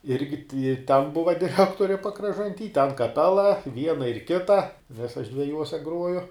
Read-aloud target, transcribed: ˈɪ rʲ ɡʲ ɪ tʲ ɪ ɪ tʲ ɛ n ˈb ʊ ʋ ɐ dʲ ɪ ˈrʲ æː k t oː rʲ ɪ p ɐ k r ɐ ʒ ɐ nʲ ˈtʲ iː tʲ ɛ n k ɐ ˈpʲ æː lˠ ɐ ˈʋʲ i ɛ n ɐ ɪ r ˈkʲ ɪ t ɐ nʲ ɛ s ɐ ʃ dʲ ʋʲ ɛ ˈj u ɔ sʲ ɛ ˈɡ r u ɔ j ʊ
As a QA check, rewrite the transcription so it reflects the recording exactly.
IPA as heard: ˈɪ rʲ ɡʲ ɪ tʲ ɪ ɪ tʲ ɛ n ˈb ʊ ʋ ɐ dʲ ɪ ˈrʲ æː k t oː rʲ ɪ p ɐ k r ɐ ʒ ɐ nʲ ˈtʲ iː tʲ ɛ n k ɐ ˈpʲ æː lˠ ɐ ˈʋʲ i ɛ n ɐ ɪ r ˈkʲ ɪ t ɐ nʲ ɛ s ɐ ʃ dʲ ʋʲ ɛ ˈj u ɔ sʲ ɛ ˈɡ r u ɔ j ʊ